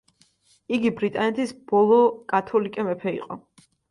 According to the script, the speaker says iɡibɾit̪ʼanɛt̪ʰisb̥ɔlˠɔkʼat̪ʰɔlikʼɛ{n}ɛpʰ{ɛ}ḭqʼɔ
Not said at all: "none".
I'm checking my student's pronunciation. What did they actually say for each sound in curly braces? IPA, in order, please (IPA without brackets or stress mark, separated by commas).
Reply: m, ɛ